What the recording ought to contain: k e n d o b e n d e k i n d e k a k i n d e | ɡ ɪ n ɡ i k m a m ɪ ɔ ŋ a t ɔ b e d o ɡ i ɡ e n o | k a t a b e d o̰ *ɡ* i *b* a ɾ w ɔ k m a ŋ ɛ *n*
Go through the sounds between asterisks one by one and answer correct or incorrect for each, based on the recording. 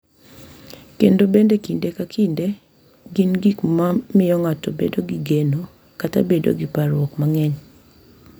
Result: correct, incorrect, incorrect

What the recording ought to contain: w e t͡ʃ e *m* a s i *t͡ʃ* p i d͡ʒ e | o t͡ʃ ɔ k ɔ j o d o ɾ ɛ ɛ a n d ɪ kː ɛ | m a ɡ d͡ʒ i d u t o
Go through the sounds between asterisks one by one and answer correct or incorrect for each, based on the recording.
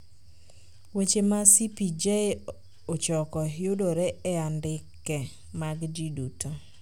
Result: correct, incorrect

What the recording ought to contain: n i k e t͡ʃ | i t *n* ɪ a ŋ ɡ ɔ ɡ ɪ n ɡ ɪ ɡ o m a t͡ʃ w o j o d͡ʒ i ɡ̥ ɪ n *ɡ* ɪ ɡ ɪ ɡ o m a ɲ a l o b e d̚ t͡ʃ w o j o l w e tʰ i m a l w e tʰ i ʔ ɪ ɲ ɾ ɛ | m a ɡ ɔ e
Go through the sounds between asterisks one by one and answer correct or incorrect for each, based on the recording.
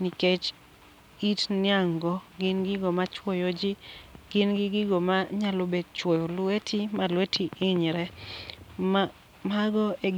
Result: correct, correct

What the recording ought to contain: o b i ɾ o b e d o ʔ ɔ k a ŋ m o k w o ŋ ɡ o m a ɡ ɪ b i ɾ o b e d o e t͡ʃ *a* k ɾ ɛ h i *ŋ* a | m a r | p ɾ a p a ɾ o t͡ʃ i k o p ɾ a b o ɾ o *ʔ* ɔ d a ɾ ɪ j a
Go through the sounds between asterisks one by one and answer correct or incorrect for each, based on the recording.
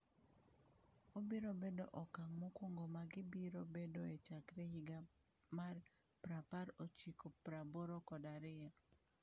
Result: correct, incorrect, incorrect

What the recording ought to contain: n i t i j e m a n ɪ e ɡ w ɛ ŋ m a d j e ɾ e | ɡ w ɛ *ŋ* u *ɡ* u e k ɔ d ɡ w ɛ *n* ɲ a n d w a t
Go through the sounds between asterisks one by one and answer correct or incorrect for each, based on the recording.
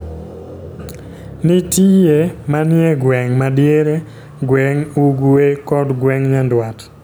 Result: correct, correct, incorrect

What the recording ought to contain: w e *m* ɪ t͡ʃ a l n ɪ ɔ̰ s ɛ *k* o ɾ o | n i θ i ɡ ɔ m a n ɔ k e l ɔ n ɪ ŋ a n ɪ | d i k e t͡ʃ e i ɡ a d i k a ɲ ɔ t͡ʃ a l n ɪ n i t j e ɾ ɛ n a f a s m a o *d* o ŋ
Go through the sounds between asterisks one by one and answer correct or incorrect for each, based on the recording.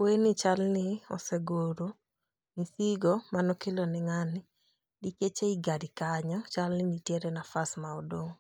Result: incorrect, incorrect, correct

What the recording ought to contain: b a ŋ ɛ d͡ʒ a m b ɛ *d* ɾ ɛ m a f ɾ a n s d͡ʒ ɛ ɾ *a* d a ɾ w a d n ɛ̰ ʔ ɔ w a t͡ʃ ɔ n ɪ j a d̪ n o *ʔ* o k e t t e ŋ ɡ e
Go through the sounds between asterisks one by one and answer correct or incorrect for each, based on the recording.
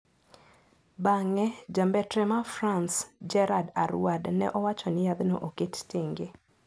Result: incorrect, correct, correct

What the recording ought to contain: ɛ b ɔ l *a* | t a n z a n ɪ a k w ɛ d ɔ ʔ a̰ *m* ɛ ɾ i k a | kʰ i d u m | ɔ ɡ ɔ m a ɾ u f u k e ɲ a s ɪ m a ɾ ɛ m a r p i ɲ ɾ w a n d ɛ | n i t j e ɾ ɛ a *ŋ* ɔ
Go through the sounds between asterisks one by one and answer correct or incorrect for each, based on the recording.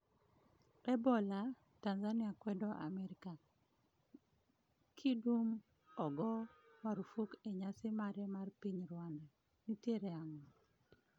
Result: correct, correct, correct

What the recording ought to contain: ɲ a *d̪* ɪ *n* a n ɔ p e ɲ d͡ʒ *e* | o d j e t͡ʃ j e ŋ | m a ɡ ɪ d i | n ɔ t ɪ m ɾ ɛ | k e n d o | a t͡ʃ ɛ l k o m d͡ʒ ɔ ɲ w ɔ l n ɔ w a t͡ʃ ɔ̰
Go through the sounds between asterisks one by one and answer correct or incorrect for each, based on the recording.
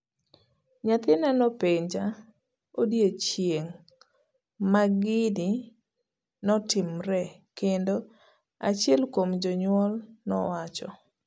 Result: incorrect, correct, incorrect

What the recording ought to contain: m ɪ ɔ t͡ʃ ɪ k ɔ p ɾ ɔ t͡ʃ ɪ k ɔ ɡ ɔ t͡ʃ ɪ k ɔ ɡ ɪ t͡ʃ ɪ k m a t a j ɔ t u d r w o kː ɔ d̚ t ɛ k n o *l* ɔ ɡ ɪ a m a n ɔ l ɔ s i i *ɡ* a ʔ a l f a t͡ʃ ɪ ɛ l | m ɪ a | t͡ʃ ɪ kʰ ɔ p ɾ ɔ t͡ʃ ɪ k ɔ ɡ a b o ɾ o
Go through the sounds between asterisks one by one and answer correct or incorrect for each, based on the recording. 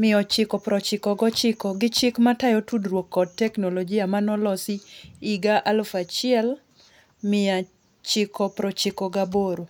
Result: correct, correct

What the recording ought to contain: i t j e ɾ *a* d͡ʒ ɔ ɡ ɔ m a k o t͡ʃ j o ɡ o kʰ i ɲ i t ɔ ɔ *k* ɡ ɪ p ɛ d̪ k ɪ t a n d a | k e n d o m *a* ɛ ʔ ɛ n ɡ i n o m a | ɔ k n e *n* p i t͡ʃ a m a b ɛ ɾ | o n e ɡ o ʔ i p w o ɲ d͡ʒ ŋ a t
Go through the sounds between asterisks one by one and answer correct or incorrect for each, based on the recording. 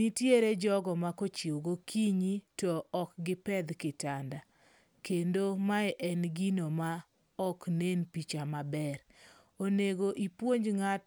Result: incorrect, correct, correct, correct

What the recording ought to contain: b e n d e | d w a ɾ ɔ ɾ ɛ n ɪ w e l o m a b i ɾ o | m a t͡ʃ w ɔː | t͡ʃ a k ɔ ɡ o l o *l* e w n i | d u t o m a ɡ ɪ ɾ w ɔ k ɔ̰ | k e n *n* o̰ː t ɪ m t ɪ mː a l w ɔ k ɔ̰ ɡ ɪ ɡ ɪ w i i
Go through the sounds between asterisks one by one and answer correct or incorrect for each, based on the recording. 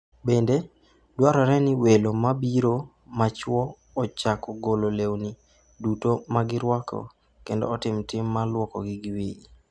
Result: correct, incorrect

